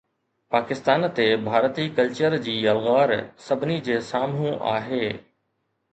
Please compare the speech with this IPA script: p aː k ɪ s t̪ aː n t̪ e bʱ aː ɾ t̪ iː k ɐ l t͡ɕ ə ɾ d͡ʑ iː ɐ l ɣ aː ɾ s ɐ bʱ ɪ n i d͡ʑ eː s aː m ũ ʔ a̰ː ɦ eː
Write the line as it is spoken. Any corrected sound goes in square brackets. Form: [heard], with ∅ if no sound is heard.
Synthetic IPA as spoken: p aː k ɪ s t̪ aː n t̪ e bʱ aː ɾ t̪ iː k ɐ l t͡ɕ ə ɾ d͡ʑ iː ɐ l ɣ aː ɾ s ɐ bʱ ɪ n i d͡ʑ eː s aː m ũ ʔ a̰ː ɦ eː